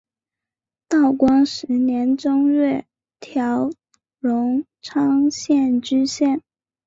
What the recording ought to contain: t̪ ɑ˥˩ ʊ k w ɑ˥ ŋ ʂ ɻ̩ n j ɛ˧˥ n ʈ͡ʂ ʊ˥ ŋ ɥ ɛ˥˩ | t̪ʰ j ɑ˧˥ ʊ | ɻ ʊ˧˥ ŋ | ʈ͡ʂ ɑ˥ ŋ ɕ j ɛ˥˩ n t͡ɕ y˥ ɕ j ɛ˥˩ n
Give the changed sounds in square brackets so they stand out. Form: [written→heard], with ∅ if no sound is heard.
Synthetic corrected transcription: t̪ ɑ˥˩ ʊ k w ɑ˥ ŋ ʂ ɻ̩ n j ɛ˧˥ n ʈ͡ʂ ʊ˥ ŋ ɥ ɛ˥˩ | t̪ʰ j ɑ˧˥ ʊ | ɻ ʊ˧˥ ŋ | [ʈ͡ʂ→ʈ͡ʂʰ] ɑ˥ ŋ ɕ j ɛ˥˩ n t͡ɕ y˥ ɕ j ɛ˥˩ n

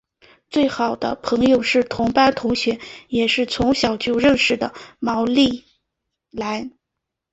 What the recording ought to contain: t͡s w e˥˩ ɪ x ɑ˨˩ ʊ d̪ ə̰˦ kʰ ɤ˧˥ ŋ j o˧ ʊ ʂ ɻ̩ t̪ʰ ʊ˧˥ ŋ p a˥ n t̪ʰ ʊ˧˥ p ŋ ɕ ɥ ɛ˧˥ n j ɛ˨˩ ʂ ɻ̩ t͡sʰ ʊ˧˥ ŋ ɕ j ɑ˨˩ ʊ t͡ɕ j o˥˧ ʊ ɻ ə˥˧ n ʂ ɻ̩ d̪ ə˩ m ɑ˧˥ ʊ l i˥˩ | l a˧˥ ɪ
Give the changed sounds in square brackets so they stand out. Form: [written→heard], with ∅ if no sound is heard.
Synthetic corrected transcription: t͡s w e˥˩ ɪ x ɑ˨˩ ʊ d̪ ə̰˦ [kʰ→pʰ] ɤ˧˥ ŋ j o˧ ʊ ʂ ɻ̩ t̪ʰ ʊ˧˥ ŋ p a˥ n t̪ʰ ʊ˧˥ [p→∅] ŋ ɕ ɥ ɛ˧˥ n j ɛ˨˩ ʂ ɻ̩ t͡sʰ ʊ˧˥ ŋ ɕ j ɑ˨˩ ʊ t͡ɕ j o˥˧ ʊ ɻ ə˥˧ n ʂ ɻ̩ d̪ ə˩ m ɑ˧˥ ʊ l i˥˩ | l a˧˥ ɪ

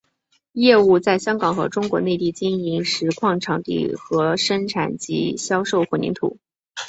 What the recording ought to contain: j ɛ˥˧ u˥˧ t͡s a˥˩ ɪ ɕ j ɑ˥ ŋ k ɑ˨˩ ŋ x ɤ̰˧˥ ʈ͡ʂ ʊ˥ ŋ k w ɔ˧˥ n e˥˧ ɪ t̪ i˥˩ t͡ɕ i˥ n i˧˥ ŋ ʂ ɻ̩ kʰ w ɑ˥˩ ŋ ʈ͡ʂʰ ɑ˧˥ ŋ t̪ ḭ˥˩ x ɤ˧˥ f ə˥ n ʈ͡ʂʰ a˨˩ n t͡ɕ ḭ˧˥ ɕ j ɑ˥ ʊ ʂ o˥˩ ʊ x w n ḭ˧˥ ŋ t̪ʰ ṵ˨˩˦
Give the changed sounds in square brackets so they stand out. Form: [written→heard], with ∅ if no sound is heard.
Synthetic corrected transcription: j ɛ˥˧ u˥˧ t͡s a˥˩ ɪ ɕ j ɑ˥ ŋ k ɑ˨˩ ŋ x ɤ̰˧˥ ʈ͡ʂ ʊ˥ ŋ k w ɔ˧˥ n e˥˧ ɪ t̪ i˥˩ t͡ɕ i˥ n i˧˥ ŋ ʂ ɻ̩ kʰ w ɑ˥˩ ŋ ʈ͡ʂʰ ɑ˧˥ ŋ t̪ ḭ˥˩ x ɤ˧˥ [f→ʂ] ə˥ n ʈ͡ʂʰ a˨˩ n t͡ɕ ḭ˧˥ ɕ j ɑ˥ ʊ ʂ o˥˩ ʊ x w n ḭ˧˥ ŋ t̪ʰ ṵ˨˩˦

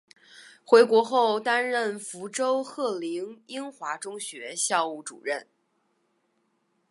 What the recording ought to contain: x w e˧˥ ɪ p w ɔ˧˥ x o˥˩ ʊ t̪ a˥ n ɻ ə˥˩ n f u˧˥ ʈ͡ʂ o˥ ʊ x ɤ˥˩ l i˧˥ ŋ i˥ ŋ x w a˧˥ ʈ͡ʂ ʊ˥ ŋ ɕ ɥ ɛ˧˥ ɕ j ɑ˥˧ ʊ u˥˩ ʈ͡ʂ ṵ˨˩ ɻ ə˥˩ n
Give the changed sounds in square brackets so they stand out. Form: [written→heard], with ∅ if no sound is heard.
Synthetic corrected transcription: x w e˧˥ ɪ [p→k] w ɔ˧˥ x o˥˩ ʊ t̪ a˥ n ɻ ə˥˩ n f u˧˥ ʈ͡ʂ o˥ ʊ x ɤ˥˩ l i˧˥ ŋ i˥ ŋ x w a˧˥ ʈ͡ʂ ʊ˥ ŋ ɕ ɥ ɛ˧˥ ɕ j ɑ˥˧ ʊ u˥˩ ʈ͡ʂ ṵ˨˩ ɻ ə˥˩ n

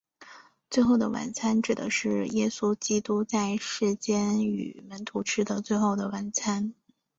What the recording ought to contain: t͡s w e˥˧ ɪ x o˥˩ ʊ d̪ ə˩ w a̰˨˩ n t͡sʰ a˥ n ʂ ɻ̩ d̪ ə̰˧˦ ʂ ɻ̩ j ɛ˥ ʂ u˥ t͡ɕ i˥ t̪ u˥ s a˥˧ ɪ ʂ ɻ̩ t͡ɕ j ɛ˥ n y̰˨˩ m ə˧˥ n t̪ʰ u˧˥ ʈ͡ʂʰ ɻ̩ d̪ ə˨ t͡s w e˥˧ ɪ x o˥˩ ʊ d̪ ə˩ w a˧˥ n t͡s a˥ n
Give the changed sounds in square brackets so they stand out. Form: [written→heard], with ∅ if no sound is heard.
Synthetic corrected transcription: t͡s w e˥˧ ɪ x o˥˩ ʊ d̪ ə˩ w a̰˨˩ n t͡sʰ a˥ n [ʂ→ʈ͡ʂ] ɻ̩ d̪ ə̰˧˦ ʂ ɻ̩ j ɛ˥ [ʂ→s] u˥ t͡ɕ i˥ t̪ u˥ [s→t͡s] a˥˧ ɪ ʂ ɻ̩ t͡ɕ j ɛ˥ n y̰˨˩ m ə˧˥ n t̪ʰ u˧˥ ʈ͡ʂʰ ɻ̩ d̪ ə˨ t͡s w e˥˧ ɪ x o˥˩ ʊ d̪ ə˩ w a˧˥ n [t͡s→t͡sʰ] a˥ n

